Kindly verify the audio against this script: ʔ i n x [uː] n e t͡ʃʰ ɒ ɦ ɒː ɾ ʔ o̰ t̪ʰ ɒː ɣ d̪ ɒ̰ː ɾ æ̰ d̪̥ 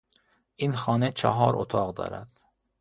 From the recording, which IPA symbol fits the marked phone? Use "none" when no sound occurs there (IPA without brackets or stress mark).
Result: ɒː